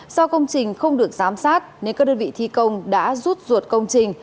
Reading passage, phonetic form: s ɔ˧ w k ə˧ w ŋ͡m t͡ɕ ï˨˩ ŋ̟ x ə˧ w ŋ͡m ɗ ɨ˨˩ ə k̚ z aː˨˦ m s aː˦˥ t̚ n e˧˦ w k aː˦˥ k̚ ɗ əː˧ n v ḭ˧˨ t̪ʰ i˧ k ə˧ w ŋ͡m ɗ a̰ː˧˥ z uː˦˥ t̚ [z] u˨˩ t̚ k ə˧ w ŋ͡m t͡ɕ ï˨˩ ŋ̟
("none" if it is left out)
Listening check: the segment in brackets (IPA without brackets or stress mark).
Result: z